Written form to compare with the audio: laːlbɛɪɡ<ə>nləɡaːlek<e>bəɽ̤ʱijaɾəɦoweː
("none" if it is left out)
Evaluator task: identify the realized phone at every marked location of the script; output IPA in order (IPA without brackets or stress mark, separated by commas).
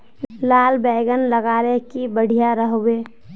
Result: ə, i